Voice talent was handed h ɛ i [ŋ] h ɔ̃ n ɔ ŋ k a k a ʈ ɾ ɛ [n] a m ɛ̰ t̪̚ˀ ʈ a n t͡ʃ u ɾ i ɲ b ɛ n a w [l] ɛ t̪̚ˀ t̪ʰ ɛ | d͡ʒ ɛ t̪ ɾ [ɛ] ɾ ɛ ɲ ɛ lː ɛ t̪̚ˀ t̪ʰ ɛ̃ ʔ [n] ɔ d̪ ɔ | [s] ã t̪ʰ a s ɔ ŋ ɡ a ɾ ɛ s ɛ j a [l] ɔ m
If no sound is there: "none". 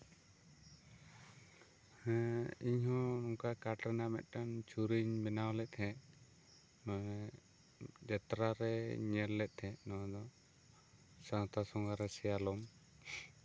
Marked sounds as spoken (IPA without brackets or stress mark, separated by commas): ɲ, n, l, a, n, s, l